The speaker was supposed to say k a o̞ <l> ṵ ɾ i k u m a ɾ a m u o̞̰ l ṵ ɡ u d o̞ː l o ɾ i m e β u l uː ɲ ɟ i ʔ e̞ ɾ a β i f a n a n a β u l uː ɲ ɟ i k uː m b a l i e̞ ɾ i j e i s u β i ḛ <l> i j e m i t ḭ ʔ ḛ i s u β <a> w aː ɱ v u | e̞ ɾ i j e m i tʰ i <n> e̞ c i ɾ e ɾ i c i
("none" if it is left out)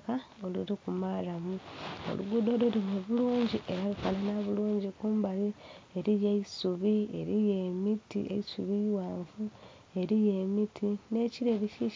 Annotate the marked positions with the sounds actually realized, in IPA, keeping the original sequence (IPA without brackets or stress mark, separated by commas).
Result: l, ɾ, i, n